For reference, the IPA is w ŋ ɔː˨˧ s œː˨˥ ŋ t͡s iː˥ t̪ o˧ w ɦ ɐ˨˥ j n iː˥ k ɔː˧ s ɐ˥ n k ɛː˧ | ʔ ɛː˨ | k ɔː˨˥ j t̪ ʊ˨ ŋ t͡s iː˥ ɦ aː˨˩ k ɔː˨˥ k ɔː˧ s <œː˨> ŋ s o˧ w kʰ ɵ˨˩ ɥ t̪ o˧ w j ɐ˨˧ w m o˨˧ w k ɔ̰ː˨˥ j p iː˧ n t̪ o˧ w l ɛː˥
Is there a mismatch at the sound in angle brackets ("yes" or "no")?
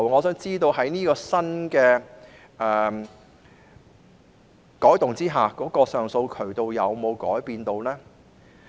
no